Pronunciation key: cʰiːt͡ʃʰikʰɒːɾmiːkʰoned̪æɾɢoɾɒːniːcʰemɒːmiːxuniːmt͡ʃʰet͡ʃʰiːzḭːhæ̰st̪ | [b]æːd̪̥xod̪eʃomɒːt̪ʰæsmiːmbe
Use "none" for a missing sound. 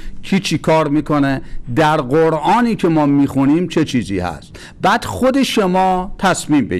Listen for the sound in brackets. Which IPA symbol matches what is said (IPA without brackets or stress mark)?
b